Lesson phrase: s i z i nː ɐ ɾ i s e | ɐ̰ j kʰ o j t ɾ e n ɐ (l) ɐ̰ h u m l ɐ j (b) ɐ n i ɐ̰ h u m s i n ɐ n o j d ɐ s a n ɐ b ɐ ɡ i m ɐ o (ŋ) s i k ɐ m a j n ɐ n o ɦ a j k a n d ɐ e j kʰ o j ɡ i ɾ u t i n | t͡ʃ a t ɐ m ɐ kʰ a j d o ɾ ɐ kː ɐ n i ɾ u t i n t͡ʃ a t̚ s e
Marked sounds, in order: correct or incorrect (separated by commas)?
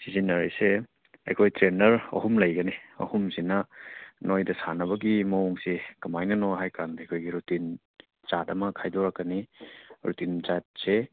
incorrect, incorrect, correct